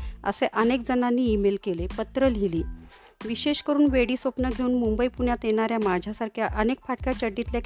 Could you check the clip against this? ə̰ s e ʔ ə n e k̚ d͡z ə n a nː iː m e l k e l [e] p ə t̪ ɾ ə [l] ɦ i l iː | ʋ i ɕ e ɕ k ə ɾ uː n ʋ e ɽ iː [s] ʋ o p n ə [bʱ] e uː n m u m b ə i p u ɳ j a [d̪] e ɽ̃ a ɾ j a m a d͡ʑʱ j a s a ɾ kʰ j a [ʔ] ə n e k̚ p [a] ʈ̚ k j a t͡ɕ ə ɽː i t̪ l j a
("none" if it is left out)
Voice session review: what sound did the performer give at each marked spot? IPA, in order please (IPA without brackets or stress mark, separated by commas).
e, l, s, ɡʱ, t̪, ʔ, a